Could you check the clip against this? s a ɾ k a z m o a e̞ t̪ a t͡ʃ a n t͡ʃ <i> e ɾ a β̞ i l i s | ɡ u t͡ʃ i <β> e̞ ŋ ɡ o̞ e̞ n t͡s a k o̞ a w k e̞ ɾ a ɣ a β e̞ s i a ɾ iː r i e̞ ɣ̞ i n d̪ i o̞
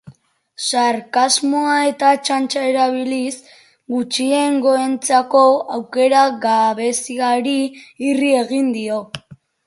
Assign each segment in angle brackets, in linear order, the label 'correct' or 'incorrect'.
incorrect, incorrect

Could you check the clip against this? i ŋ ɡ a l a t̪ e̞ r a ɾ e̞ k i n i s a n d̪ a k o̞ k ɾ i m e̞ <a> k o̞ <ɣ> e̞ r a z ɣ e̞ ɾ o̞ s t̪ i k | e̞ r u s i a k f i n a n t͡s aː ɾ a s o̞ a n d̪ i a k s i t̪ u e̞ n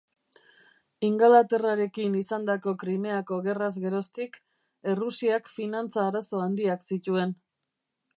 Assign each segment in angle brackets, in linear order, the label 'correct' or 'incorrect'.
correct, correct

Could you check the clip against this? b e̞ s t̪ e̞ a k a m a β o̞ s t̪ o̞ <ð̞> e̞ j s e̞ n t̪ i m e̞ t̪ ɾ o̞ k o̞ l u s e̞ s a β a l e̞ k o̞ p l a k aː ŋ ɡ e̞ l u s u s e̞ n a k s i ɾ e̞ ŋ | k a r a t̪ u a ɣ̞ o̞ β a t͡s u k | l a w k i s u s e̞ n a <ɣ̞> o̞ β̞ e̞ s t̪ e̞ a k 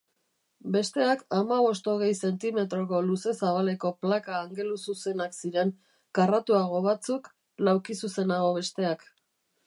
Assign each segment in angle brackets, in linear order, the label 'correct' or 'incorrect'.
incorrect, correct

